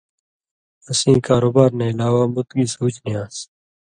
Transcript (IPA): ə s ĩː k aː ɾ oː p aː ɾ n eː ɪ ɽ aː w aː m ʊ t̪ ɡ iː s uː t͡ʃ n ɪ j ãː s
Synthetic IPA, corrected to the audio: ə s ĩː k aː ɾ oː b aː ɾ n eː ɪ l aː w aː m ʊ t̪ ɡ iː s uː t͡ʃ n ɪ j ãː s